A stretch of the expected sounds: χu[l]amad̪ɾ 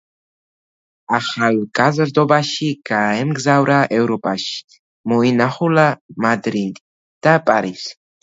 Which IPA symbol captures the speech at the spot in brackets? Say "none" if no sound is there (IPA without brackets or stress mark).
l